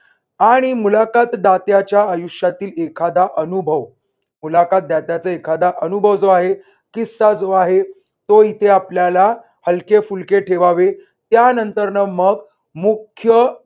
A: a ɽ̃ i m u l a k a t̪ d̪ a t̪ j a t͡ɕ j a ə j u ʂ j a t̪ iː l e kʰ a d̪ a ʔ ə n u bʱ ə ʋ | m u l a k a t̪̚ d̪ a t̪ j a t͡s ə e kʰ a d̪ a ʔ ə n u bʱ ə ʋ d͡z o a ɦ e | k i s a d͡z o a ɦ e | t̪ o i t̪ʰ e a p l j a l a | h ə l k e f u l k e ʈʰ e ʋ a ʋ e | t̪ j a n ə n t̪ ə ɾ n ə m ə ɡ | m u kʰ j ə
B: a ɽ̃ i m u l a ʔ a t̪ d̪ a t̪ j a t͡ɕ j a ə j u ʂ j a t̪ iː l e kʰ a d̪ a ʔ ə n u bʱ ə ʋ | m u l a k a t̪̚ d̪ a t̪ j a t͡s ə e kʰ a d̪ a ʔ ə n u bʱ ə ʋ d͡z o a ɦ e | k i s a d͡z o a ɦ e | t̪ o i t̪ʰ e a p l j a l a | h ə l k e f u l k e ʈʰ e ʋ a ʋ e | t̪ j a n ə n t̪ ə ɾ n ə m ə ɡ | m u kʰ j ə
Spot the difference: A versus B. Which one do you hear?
A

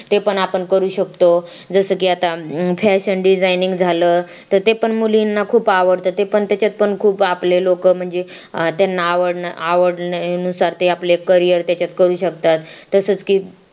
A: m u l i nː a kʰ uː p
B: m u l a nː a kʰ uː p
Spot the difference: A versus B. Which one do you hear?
A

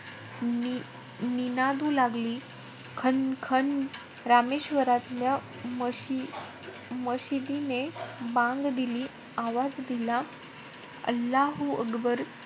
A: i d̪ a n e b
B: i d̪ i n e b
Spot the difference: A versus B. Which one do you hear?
B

